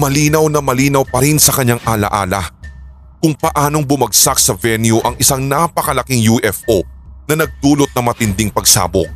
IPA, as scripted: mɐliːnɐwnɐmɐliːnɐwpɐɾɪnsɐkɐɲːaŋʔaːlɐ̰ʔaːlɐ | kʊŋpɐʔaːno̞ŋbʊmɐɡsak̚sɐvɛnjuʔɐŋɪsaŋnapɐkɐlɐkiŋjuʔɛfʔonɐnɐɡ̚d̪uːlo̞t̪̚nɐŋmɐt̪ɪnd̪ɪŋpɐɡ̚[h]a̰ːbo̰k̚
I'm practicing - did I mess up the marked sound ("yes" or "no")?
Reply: yes